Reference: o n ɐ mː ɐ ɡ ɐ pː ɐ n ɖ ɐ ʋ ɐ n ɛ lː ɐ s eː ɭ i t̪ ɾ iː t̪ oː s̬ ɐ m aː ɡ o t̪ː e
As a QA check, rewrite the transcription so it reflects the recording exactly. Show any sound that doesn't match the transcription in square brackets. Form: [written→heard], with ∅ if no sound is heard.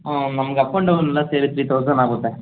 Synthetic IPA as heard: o n ɐ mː ɐ ɡ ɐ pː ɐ [n→ɳ] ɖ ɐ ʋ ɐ n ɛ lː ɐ s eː [ɭ→ɾ] i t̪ ɾ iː t̪ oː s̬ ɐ [m→n] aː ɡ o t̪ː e